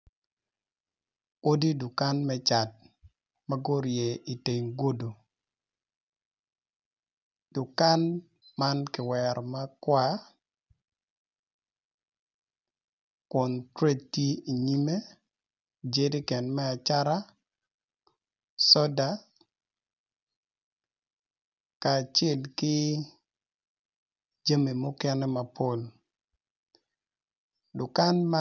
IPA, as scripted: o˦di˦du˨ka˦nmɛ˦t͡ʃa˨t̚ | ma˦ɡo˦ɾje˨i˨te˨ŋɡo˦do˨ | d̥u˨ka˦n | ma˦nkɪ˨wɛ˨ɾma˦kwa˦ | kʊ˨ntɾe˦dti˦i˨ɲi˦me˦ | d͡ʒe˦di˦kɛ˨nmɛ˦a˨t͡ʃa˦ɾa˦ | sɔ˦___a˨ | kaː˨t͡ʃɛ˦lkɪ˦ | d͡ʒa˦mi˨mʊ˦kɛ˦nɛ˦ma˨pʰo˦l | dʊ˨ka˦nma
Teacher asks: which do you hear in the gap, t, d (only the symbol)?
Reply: d